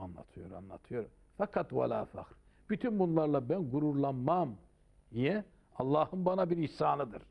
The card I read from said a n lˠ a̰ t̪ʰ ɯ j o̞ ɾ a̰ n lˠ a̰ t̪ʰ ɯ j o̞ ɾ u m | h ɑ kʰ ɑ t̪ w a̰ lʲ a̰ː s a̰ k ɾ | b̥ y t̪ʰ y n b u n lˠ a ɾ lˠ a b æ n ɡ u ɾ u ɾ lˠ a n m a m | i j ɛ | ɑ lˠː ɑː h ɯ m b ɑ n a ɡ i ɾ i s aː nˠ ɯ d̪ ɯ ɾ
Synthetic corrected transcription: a n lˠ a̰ t̪ʰ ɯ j o̞ ɾ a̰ n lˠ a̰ t̪ʰ ɯ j o̞ ɾ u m | f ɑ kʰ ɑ t̪ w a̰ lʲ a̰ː f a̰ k ɾ | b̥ y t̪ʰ y n b u n lˠ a ɾ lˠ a b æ n ɡ u ɾ u ɾ lˠ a n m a m | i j ɛ | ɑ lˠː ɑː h ɯ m b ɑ n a b i ɾ i s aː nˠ ɯ d̪ ɯ ɾ